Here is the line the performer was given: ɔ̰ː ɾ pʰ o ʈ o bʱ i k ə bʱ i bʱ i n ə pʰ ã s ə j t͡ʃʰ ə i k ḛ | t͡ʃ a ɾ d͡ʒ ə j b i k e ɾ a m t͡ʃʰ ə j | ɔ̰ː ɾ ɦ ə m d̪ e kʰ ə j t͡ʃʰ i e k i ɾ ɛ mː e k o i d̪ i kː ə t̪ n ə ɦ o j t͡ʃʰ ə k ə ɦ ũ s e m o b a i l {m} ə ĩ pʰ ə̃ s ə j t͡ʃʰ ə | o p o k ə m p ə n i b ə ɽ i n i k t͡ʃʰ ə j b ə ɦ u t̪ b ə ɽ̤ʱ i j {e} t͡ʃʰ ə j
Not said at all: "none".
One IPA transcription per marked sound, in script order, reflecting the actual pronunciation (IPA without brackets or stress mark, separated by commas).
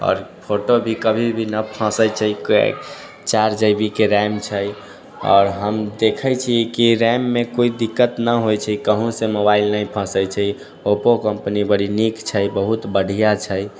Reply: n, a